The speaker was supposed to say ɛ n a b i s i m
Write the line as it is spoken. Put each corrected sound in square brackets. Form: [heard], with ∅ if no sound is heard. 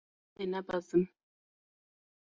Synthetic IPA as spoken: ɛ n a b [a] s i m